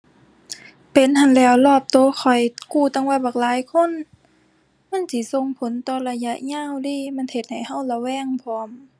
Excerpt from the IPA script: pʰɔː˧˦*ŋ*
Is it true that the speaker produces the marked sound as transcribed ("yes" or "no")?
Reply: no